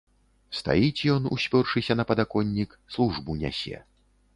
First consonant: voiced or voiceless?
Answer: voiceless